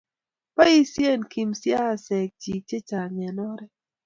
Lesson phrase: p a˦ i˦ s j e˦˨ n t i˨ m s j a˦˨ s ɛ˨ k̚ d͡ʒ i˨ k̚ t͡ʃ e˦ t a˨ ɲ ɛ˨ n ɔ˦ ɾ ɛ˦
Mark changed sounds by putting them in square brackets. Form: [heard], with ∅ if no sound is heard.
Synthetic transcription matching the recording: p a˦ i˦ s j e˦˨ n [k] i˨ m s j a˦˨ s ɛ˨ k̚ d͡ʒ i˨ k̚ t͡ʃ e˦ [t͡ʃ] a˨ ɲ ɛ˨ n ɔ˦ ɾ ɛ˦